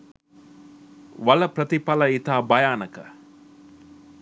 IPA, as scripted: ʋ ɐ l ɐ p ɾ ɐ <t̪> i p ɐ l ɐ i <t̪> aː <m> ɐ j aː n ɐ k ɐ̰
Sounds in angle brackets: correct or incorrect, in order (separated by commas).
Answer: correct, correct, incorrect